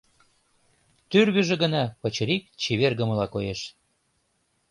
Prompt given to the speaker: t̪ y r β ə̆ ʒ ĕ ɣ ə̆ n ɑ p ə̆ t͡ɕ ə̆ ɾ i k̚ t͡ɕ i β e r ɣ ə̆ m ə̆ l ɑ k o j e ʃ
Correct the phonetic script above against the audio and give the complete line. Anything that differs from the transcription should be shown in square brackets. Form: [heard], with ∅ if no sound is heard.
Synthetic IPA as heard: t̪ y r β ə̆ ʒ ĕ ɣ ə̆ n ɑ p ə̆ t͡ɕ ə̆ ɾ i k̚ t͡ɕ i β e r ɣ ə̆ m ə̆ l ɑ k o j e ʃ